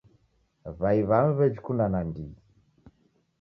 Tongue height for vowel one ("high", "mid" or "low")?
low